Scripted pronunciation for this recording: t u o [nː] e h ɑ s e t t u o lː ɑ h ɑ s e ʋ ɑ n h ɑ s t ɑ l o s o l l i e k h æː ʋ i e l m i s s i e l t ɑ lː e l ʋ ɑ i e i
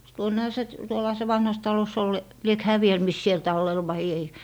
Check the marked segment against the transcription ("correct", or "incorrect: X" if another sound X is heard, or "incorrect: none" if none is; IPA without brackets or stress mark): correct